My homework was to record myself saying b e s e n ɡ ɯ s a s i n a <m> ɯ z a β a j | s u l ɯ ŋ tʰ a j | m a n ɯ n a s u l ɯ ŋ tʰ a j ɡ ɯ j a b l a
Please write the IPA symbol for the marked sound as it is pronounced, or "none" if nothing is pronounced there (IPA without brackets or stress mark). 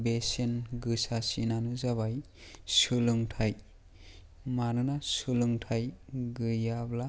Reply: n